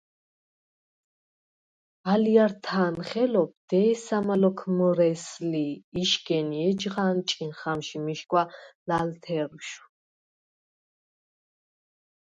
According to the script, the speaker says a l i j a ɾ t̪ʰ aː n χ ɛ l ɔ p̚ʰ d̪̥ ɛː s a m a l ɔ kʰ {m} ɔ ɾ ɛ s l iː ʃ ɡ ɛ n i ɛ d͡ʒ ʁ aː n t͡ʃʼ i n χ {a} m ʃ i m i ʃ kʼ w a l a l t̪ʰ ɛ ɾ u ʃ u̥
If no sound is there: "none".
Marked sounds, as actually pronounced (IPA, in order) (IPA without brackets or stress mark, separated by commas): m, a